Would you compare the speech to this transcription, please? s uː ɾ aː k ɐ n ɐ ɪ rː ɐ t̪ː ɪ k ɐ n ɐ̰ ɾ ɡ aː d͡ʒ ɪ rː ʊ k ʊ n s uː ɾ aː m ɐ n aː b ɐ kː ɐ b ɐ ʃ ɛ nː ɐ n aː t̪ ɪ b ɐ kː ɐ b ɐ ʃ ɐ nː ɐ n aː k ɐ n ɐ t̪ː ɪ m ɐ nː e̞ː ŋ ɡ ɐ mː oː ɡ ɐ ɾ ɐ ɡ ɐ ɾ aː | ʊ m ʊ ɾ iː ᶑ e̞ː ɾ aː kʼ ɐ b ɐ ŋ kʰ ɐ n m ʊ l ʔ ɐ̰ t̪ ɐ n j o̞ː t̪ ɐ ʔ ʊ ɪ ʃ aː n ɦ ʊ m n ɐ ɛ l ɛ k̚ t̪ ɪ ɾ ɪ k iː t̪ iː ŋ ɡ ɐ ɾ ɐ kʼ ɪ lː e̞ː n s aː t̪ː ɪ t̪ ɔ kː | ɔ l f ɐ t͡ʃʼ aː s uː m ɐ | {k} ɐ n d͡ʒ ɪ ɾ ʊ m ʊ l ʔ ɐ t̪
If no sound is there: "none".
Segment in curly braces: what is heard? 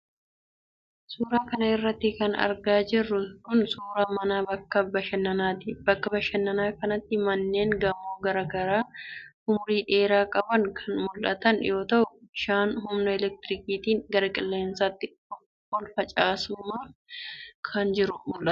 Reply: kʰ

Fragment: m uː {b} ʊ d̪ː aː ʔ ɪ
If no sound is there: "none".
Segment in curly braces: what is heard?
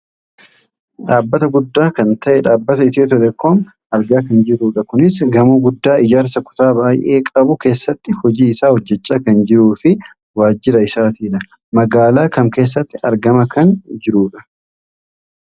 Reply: ɡ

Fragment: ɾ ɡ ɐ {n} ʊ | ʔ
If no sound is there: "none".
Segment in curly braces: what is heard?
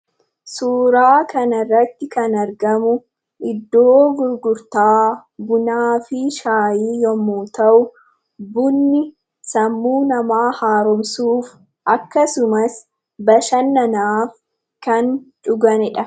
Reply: m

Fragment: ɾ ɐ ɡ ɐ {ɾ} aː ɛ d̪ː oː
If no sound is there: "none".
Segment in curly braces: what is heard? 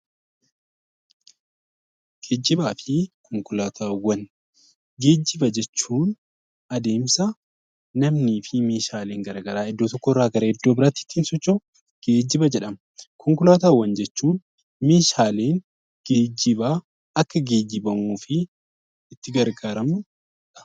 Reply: ɾ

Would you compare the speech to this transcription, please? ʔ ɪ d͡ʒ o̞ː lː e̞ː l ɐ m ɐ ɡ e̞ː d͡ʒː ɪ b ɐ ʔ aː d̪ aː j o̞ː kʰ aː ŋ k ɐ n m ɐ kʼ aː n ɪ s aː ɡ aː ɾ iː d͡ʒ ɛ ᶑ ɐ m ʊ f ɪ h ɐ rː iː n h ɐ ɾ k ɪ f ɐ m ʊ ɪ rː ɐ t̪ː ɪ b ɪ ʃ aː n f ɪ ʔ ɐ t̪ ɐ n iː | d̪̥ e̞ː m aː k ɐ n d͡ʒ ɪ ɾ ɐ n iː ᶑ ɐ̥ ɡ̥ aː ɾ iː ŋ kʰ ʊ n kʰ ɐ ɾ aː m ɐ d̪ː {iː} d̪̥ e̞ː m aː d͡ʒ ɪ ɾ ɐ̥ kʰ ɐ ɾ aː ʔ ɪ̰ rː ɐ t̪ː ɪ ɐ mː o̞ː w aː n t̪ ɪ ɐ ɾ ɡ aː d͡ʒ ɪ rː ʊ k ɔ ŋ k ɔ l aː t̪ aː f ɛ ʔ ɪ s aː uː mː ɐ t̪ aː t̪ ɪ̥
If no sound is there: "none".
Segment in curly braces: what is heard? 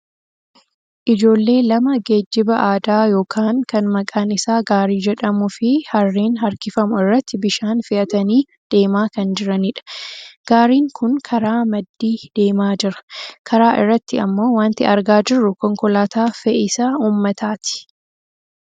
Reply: iː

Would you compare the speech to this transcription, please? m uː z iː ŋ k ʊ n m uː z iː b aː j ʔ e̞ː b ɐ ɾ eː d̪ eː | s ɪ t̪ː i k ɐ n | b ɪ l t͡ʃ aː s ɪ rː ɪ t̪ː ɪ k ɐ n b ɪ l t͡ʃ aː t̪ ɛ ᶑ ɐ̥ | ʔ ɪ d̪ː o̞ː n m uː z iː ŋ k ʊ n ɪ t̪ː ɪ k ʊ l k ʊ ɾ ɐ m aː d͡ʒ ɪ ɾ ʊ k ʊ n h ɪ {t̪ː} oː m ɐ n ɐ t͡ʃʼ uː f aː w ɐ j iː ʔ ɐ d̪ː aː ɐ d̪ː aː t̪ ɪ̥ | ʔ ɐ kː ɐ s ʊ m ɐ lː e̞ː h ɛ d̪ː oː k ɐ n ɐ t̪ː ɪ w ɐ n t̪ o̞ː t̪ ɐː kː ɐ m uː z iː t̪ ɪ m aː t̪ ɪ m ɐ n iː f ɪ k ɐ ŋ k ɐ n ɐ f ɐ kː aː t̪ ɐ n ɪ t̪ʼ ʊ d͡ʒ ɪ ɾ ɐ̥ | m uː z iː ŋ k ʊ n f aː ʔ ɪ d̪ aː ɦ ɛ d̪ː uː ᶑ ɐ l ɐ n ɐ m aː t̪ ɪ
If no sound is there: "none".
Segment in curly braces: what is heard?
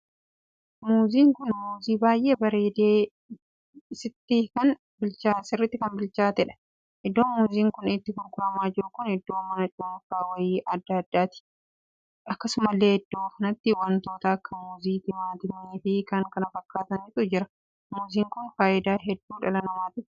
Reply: d̪ː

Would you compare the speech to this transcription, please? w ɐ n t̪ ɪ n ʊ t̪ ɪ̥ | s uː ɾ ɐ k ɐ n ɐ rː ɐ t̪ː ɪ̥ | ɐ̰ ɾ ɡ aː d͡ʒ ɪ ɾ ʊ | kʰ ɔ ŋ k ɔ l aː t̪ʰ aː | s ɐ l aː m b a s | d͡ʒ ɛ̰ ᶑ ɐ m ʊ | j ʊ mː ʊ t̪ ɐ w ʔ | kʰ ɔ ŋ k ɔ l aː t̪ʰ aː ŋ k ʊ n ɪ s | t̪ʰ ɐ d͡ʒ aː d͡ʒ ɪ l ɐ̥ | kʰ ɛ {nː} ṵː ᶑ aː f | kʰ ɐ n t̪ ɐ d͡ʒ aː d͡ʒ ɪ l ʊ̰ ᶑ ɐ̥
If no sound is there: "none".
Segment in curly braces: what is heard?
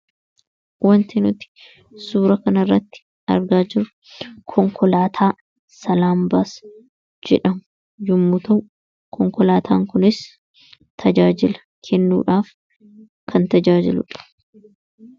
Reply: nː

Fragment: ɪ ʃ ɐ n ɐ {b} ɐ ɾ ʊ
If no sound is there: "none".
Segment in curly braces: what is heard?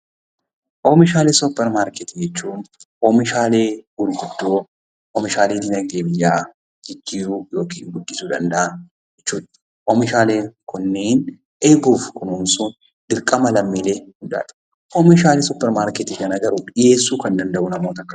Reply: ɡ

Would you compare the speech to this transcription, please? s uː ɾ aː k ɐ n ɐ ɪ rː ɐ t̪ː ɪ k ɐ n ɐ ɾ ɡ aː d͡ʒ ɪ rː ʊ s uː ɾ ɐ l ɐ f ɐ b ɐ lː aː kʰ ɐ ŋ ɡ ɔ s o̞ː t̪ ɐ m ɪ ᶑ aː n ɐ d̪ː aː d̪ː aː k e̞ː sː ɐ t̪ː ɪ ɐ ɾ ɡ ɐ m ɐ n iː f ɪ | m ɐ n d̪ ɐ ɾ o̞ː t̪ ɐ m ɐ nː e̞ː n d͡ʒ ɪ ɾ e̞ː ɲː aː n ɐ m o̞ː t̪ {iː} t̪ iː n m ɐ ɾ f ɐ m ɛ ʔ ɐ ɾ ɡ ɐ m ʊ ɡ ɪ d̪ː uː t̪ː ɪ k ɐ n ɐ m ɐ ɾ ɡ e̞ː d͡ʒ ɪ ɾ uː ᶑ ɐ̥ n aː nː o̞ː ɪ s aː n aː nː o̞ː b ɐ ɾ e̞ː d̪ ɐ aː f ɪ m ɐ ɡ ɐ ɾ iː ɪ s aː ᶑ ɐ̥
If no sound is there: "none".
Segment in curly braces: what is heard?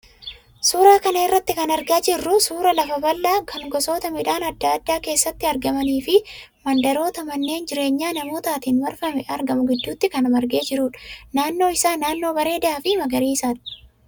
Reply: aː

